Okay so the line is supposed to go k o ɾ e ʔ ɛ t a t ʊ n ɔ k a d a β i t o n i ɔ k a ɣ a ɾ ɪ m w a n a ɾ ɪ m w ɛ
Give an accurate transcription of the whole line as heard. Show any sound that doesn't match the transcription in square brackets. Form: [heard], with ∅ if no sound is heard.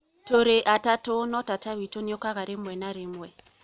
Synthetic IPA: [t] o ɾ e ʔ [a] t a t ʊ n ɔ [t] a [t] a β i t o n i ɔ k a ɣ a ɾ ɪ m w [ɛ] n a ɾ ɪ m w ɛ